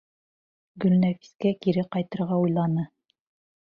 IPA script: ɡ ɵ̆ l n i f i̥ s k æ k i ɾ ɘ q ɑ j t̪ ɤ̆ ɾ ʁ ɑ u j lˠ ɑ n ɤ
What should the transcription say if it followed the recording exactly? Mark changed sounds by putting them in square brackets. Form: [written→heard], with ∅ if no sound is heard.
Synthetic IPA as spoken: ɡ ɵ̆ l n [i→æ] f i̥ s k æ k i ɾ ɘ q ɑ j t̪ ɤ̆ ɾ ʁ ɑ u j lˠ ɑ n ɤ